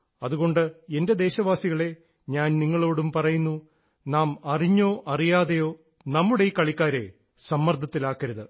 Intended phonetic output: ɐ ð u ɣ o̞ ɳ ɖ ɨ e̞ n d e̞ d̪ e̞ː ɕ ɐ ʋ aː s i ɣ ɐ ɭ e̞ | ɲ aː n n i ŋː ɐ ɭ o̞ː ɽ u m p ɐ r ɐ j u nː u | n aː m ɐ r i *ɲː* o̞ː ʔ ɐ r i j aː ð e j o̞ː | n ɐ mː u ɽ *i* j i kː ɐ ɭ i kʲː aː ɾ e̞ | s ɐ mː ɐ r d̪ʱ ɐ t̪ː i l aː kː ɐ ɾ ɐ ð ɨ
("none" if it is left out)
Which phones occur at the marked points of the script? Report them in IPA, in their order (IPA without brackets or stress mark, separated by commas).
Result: ɲː, e